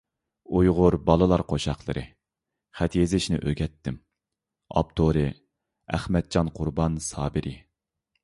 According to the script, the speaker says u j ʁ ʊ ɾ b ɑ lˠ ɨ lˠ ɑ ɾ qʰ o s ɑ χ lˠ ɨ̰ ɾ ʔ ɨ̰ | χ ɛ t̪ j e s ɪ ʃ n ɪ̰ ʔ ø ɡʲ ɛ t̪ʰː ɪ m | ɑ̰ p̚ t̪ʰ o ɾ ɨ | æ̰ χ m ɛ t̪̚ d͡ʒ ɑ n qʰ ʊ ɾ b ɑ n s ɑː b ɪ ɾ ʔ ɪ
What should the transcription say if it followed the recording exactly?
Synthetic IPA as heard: u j ʁ ʊ ɾ b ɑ lˠ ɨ lˠ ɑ ɾ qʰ o ʃ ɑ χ lˠ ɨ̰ ɾ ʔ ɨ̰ | χ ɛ t̪ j e z ɪ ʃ n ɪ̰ ʔ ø ɡʲ ɛ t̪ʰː ɪ m | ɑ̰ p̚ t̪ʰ o ɾ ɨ | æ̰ χ m ɛ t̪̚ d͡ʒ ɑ n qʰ ʊ ɾ b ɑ n s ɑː b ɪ ɾ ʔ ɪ